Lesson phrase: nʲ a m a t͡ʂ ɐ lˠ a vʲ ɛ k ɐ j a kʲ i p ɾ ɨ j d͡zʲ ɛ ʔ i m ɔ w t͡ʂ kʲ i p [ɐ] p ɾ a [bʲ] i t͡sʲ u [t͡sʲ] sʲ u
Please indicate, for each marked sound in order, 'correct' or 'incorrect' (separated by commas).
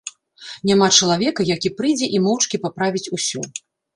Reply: incorrect, incorrect, incorrect